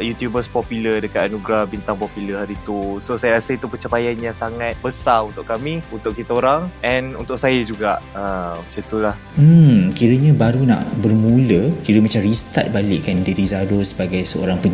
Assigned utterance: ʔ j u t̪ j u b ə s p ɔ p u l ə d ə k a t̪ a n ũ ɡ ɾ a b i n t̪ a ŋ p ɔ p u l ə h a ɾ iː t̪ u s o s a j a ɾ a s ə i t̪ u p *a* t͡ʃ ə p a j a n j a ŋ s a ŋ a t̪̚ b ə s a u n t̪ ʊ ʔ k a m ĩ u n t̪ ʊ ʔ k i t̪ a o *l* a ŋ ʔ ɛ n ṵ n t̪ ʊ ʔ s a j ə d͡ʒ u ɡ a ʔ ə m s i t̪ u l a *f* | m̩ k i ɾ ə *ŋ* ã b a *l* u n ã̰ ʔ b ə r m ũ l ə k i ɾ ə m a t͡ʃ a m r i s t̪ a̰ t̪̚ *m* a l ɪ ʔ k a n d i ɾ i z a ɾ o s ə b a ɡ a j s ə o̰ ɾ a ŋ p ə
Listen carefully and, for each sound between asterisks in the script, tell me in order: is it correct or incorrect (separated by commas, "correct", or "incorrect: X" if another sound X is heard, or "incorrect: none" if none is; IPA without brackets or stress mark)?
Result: incorrect: ə, incorrect: ɾ, incorrect: h, incorrect: ɲ, incorrect: ɾ, incorrect: b